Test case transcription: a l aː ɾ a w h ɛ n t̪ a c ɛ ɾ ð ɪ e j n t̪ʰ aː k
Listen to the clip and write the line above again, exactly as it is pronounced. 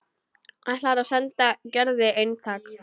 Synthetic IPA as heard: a l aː ɾ a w s ɛ n t̪ a c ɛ ɾ ð ɪ e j n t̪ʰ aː k